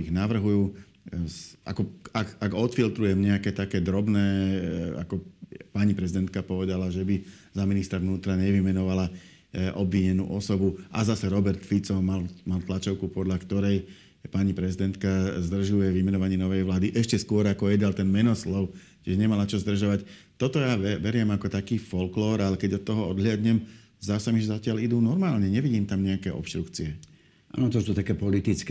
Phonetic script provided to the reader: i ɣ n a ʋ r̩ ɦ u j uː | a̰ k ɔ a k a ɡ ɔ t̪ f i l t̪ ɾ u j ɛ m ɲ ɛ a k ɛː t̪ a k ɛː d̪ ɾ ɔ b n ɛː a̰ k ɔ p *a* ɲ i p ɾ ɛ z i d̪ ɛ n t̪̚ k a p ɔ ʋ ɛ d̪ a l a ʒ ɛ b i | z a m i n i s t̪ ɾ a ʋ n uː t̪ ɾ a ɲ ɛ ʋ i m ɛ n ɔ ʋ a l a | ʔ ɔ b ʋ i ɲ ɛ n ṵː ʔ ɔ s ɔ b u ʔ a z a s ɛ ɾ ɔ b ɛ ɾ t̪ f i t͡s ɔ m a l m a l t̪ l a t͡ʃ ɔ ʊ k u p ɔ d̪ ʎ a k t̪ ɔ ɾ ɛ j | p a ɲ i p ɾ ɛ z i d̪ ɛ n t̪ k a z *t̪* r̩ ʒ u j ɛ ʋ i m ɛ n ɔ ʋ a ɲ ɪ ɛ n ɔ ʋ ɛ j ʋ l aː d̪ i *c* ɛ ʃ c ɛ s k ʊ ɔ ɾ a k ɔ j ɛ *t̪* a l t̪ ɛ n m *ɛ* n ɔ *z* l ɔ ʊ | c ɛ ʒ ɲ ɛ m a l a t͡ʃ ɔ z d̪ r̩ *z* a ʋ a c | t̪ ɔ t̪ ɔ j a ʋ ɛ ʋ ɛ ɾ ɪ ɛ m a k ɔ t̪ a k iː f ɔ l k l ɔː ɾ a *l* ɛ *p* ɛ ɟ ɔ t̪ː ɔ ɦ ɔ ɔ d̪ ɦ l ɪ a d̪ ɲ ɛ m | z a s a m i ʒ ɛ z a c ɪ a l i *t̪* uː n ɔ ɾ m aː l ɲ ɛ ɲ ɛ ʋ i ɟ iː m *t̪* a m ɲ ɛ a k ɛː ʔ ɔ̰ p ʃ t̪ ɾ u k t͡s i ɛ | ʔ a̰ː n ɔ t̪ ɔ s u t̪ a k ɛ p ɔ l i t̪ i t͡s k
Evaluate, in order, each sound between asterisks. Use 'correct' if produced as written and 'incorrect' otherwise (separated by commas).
correct, incorrect, incorrect, incorrect, correct, incorrect, incorrect, correct, incorrect, incorrect, correct